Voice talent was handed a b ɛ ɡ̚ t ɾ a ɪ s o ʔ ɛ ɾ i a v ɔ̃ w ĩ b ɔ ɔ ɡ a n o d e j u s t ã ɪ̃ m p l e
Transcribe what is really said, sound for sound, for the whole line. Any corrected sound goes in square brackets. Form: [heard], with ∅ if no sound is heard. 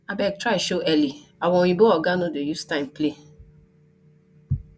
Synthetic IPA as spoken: a b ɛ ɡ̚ t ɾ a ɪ [ʃ] o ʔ ɛ [l] i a [w] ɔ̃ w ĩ b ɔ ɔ ɡ a n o d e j u s t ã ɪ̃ m p l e